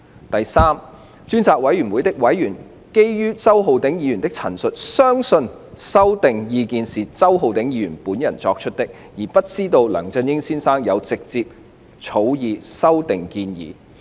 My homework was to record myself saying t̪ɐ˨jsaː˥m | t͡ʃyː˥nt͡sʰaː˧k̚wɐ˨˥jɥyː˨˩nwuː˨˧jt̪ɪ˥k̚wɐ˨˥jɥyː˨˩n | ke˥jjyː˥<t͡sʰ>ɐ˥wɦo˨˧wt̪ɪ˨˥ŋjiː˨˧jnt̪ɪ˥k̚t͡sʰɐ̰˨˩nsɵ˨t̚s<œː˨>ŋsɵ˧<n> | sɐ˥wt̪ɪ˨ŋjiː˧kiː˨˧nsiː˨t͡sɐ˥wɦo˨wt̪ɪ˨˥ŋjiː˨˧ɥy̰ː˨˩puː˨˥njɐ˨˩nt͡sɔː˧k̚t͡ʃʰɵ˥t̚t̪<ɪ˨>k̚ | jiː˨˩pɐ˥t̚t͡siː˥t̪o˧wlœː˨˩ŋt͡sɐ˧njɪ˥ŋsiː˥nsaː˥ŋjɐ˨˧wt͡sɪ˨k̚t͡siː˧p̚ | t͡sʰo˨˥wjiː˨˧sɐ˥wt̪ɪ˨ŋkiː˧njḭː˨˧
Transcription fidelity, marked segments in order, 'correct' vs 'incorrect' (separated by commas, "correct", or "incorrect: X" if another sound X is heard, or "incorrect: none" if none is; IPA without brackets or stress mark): incorrect: t͡s, incorrect: œː˥, correct, incorrect: ɪ˥